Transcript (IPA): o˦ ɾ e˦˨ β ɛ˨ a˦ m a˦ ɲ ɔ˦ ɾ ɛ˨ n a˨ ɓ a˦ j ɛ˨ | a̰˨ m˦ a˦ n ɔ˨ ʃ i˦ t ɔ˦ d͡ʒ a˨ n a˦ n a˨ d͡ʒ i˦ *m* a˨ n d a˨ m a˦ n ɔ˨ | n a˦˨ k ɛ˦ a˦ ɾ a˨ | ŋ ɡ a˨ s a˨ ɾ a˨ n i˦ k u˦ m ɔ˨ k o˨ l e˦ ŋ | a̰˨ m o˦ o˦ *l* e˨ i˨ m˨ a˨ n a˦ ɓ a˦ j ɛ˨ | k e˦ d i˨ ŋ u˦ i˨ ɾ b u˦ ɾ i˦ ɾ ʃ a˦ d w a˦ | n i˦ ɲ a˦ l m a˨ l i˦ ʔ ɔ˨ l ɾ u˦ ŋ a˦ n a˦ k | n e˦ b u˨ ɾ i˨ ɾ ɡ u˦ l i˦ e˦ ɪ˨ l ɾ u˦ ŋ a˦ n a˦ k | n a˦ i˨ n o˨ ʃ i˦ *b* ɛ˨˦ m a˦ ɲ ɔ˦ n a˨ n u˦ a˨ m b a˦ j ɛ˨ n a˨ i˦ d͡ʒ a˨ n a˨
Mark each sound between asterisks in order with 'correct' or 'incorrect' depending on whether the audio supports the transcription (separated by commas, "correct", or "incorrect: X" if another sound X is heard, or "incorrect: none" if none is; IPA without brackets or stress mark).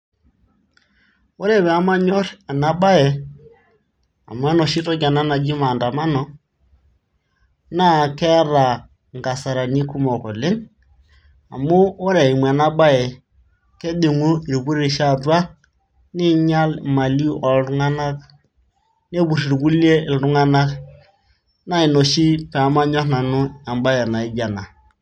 correct, incorrect: ɾ, incorrect: p